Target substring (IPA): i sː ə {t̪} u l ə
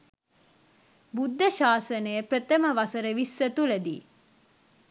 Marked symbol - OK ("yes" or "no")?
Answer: yes